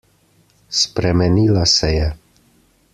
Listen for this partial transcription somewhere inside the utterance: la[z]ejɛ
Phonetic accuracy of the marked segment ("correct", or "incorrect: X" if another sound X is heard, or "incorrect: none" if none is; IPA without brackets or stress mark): incorrect: s